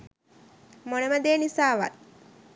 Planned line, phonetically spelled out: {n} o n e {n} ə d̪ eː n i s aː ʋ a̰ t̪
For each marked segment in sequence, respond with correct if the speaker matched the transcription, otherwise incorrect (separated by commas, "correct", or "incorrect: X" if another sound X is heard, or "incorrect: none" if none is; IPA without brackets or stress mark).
incorrect: m, incorrect: m